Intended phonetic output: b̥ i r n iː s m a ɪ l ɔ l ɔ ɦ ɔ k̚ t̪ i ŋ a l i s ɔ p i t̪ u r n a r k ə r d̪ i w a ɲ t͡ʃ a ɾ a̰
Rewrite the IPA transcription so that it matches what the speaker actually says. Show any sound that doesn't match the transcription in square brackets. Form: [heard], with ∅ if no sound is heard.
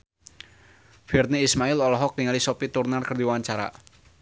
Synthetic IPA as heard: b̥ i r n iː s m a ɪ l ɔ l ɔ ɦ ɔ k̚ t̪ i ŋ a l i s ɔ p i t̪ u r n a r k ə r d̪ i w a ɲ t͡ʃ a ɾ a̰